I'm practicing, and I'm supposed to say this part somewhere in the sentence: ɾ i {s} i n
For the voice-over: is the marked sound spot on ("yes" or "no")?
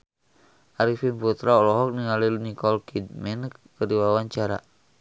no